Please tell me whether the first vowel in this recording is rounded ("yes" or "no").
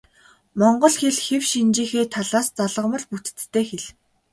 yes